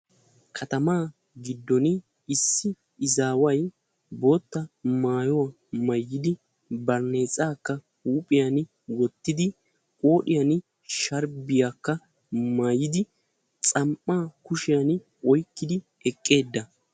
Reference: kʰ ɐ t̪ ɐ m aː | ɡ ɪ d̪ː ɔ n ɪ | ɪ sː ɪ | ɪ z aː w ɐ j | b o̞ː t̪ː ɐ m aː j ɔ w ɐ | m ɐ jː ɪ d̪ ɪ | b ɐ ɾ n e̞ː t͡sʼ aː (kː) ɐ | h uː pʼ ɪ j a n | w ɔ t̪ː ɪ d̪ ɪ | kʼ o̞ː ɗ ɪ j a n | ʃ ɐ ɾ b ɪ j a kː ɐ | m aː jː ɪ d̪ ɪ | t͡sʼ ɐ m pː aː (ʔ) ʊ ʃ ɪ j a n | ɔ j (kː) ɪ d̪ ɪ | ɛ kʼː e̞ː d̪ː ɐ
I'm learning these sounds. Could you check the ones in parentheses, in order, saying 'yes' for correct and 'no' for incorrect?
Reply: yes, no, yes

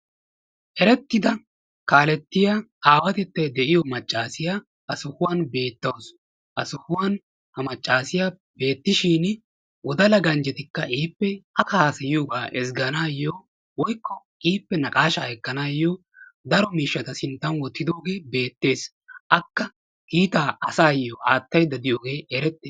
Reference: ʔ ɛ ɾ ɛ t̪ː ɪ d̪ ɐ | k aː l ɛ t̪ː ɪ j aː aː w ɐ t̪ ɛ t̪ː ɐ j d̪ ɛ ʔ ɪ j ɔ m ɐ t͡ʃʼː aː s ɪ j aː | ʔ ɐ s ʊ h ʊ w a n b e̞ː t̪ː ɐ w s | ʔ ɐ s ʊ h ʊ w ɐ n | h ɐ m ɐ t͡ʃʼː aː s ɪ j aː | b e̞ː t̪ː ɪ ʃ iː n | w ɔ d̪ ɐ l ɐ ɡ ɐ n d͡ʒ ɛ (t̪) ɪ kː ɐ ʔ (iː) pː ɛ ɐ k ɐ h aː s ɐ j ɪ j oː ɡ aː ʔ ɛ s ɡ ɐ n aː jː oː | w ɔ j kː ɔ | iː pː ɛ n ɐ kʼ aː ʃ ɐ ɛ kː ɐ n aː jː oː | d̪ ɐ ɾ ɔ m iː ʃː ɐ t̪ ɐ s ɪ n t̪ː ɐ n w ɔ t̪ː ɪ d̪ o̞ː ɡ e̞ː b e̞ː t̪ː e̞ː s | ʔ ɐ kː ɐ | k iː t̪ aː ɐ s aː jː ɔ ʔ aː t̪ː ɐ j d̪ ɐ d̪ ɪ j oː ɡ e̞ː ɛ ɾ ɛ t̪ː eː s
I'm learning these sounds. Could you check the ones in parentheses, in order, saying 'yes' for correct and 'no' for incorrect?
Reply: yes, yes

